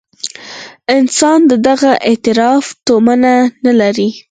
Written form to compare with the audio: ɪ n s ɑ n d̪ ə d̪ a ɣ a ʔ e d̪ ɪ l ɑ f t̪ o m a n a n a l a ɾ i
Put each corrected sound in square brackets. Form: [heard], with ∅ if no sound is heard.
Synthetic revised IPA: ɪ n s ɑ n d̪ ə d̪ a ɣ a ʔ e [t̪] ɪ [ɾ] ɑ f t̪ o m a n a n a l a ɾ i